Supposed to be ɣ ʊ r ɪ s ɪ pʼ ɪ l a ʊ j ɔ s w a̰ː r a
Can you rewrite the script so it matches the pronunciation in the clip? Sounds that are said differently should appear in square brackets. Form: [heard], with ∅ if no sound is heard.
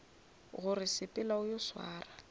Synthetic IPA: ɣ ʊ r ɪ s ɪ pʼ ɪ l a ʊ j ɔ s w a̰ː r a